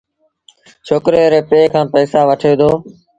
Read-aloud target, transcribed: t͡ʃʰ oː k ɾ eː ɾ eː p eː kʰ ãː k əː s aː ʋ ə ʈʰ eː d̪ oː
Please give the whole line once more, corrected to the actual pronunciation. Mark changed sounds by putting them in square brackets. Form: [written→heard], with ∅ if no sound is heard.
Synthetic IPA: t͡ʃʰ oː k ɾ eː ɾ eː p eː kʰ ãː [k→p] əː s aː ʋ ə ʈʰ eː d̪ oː